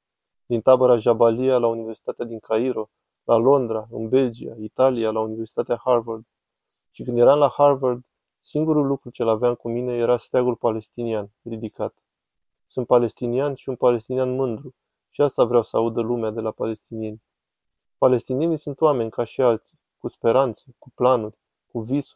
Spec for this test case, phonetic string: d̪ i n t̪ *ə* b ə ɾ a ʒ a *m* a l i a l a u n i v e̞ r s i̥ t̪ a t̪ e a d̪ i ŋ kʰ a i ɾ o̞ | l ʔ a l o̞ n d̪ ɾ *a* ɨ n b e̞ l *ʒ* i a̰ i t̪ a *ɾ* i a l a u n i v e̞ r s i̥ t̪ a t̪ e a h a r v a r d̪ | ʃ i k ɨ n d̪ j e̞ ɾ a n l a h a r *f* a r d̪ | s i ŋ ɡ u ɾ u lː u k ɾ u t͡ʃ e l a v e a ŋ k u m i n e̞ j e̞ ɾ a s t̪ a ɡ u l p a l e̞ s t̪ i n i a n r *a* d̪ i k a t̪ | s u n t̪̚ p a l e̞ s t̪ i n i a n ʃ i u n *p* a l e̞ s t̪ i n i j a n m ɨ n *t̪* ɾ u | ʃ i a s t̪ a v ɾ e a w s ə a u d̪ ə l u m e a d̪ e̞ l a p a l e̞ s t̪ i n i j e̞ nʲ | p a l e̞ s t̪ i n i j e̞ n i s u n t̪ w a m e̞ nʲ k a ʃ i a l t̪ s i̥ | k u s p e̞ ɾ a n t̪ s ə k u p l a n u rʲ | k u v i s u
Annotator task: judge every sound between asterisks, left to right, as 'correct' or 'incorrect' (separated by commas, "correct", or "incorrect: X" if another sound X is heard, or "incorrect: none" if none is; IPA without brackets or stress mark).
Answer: incorrect: a, incorrect: b, correct, incorrect: d͡ʒ, incorrect: l, incorrect: v, incorrect: i, correct, incorrect: d̪